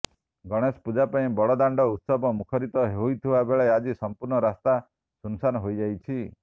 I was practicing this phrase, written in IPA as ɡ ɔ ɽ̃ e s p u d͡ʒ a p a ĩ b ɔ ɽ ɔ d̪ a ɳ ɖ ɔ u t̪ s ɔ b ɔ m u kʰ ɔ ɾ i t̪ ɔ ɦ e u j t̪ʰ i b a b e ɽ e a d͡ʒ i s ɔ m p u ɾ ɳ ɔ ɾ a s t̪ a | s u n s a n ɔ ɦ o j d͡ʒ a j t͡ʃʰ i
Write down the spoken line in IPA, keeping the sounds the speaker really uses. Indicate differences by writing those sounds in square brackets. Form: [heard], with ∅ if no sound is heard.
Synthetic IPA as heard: ɡ ɔ ɽ̃ e s p u d͡ʒ a p a ĩ b ɔ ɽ ɔ d̪ a ɳ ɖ ɔ u t̪ s ɔ b ɔ m u kʰ ɔ ɾ i t̪ ɔ ɦ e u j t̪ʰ i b a b e [ɭ] e a d͡ʒ i s ɔ m p u ɾ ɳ ɔ ɾ a s t̪ a | s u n s a n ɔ ɦ o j d͡ʒ a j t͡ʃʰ i